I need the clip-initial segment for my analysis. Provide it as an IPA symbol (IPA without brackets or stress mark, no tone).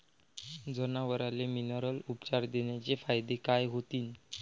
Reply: d͡z